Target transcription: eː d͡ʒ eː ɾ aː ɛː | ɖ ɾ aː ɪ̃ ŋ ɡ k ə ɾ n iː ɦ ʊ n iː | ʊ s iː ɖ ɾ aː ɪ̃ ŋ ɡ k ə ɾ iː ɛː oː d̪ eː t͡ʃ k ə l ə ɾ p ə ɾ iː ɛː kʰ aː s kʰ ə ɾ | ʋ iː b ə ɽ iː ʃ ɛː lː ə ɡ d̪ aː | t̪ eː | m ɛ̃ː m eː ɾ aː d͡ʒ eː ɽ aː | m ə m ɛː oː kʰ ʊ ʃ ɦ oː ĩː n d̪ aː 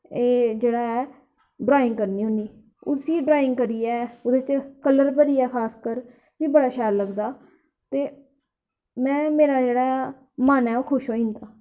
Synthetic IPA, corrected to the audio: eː d͡ʒ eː ɽ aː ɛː | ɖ ɾ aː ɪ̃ ŋ ɡ k ə ɾ n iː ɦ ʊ n iː | ʊ s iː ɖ ɾ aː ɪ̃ ŋ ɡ k ə ɾ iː ɛː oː d̪ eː t͡ʃ k ə l ə ɾ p ə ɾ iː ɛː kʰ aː s k ə ɾ | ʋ iː b ə ɽ aː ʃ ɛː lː ə ɡ d̪ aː | t̪ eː | m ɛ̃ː m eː ɾ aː d͡ʒ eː ɽ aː | m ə n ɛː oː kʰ ʊ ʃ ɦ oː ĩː n d̪ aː

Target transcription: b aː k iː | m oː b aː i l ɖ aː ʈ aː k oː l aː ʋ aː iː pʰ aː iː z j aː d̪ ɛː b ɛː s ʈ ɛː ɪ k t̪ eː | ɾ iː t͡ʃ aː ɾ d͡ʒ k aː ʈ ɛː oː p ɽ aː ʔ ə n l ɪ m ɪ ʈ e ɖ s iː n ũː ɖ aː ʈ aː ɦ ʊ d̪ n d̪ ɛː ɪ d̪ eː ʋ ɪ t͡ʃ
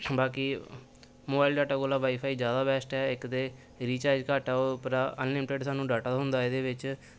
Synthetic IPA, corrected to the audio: b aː k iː | m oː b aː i l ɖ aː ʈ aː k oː l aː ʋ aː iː pʰ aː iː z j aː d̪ aː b ɛː s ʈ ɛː ɪ k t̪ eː | ɾ iː t͡ʃ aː ɾ d͡ʒ k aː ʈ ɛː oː p ɾ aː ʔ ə n l ɪ m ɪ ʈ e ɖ s aː n ũː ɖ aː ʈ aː ɦ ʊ n d̪ aː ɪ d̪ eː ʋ ɪ t͡ʃ

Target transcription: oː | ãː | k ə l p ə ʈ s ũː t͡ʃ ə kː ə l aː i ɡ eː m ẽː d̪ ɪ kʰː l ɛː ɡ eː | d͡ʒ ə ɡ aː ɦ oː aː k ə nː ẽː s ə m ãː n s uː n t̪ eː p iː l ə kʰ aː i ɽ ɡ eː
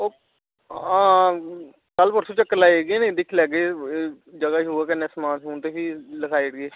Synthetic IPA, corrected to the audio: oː | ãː | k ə l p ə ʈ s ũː t͡ʃ ə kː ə l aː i ɡ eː n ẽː d̪ ɪ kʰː l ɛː ɡ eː | d͡ʒ ə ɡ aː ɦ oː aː k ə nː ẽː s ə m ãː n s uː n t̪ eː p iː l ə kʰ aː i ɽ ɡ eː

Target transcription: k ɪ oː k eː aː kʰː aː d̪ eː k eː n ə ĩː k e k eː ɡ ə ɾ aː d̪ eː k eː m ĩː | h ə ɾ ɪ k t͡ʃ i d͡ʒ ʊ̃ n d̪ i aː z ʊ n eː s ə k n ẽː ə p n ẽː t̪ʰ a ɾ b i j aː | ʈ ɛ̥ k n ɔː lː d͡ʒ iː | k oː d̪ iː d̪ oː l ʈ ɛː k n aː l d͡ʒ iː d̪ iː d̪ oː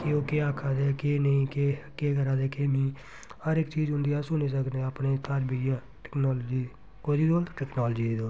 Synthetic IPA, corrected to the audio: k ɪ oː k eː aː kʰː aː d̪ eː k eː n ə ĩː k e k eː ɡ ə ɾ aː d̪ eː k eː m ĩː | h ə ɾ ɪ k t͡ʃ iː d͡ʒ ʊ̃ n d̪ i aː s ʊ n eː s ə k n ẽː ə p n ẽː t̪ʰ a ɾ b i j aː | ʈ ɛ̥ k n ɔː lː d͡ʒ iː | k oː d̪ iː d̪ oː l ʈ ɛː k n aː l d͡ʒ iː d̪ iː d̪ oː

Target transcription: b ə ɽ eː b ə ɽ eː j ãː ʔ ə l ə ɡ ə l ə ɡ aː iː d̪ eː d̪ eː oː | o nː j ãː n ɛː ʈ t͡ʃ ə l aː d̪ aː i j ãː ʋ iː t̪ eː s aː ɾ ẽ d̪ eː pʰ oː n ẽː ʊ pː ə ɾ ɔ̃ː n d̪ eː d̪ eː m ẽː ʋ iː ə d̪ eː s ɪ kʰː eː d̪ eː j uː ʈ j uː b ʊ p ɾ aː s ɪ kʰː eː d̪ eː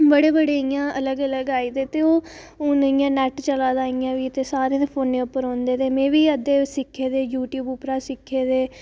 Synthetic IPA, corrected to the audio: b ə ɽ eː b ə ɽ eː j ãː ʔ ə l ə ɡ ə l ə ɡ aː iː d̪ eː t̪ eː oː | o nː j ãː n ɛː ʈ t͡ʃ ə l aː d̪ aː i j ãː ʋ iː t̪ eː s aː ɾ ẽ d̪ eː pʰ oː n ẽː ʊ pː ə ɾ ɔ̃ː n d̪ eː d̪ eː m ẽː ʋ iː ə d̪ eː s ɪ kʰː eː d̪ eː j uː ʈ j uː b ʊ p ɾ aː s ɪ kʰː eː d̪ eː

